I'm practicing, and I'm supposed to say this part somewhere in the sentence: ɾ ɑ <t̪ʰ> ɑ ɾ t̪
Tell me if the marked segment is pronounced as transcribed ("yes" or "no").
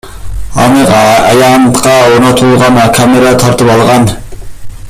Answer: yes